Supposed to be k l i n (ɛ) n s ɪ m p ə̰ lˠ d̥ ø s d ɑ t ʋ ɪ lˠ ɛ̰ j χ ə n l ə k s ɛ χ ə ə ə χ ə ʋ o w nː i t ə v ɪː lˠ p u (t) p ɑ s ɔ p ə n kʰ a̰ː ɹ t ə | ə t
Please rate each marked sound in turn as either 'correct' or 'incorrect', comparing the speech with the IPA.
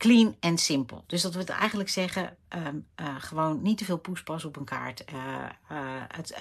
correct, incorrect: s

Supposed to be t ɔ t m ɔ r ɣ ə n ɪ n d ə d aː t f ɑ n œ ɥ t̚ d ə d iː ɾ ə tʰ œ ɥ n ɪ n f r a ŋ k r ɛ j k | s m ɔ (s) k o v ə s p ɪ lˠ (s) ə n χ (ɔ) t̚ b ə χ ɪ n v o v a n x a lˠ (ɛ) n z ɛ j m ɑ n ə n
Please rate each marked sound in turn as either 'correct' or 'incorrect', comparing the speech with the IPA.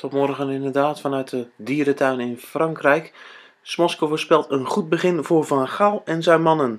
correct, incorrect: t, incorrect: u, correct

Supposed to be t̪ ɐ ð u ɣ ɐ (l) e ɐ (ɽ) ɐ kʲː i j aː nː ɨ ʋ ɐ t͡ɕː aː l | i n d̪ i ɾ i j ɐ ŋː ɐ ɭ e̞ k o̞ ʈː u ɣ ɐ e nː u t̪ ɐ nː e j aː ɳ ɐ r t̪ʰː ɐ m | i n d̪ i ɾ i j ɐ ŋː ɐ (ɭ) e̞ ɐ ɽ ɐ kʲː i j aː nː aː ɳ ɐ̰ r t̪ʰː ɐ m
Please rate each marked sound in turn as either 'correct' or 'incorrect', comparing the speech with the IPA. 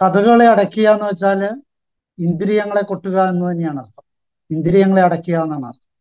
incorrect: ɭ, correct, correct

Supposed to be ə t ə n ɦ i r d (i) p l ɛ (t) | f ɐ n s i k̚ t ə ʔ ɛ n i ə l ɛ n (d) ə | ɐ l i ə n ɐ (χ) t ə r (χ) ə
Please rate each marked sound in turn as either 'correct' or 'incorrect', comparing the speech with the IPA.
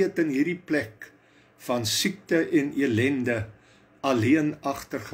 correct, incorrect: k, correct, correct, correct

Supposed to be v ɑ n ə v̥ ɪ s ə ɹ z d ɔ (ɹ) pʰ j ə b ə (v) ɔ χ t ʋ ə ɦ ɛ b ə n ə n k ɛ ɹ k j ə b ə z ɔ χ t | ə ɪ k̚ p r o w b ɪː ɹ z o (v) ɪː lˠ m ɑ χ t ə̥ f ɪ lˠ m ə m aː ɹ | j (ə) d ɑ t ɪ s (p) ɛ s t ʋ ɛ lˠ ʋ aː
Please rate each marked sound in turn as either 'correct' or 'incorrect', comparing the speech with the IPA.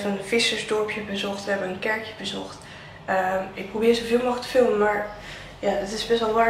correct, incorrect: z, correct, incorrect: a, incorrect: b

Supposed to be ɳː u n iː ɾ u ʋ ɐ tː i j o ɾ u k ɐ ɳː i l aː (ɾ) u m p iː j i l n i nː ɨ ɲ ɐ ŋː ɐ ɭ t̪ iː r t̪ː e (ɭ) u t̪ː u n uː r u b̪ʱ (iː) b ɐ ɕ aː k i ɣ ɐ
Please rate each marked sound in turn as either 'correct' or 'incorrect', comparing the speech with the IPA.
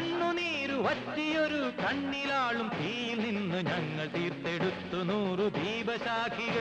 incorrect: ɭ, incorrect: ɽ, correct

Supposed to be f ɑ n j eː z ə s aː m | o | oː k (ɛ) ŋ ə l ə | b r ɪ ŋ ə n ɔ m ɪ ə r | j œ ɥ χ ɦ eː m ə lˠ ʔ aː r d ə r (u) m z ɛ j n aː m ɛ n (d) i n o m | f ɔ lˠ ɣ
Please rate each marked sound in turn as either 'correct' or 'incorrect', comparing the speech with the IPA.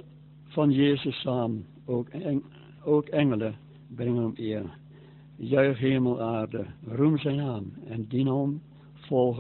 correct, correct, correct

